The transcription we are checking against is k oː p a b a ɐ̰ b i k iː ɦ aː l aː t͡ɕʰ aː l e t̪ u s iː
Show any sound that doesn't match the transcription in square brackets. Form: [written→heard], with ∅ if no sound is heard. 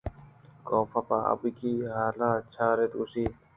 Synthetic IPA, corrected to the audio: k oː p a [b→p] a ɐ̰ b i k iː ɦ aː l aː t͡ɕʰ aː [l→ɾ] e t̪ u s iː